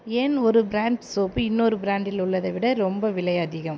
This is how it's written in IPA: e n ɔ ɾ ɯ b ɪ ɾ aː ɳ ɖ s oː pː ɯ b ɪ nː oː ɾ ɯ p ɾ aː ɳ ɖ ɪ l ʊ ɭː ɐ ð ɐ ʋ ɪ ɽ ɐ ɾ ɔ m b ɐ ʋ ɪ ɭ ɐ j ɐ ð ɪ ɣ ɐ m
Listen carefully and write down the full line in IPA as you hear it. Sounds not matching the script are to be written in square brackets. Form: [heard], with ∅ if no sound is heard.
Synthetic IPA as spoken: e n ɔ ɾ ɯ b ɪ ɾ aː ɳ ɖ s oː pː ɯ [∅] ɪ nː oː ɾ ɯ [b] ɾ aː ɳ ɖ ɪ l ʊ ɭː ɐ ð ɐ ʋ ɪ ɽ ɐ ɾ ɔ m b ɐ ʋ ɪ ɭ ɐ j ɐ ð ɪ ɣ ɐ m